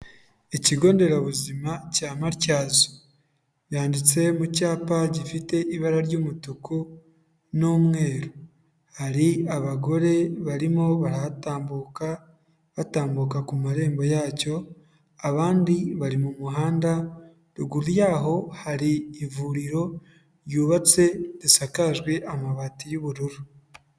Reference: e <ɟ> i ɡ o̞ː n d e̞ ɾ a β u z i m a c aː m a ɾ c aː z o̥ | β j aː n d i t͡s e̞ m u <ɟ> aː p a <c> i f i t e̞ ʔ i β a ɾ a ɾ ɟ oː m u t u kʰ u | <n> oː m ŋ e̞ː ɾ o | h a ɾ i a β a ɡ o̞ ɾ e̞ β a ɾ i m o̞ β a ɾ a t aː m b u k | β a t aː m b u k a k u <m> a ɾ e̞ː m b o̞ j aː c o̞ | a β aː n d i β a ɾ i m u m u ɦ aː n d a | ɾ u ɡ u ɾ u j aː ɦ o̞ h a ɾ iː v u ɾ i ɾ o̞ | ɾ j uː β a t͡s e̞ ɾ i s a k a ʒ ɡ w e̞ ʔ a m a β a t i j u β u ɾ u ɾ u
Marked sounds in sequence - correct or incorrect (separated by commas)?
incorrect, incorrect, incorrect, correct, correct